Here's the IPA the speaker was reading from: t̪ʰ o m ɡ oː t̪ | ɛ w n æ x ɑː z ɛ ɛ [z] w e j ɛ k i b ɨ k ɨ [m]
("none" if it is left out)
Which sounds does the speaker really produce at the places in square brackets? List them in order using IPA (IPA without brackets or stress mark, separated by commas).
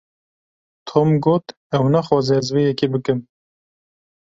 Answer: z, m